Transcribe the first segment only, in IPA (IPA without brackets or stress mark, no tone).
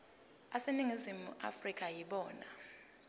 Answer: a